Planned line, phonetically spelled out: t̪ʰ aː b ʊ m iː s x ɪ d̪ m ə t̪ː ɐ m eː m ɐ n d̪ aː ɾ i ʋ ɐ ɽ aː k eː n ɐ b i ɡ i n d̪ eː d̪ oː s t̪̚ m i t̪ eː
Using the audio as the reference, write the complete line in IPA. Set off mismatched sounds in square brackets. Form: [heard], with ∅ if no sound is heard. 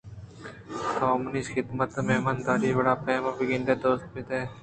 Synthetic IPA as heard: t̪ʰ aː [m] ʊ [n] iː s x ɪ d̪ m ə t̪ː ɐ m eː m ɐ n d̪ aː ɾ i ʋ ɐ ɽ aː [p] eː [m] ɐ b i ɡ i n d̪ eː d̪ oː s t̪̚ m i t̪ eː